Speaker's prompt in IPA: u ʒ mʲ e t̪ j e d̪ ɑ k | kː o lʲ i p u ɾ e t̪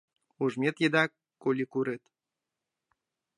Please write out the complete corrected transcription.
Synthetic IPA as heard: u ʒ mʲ e t̪ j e d̪ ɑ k | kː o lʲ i k u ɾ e t̪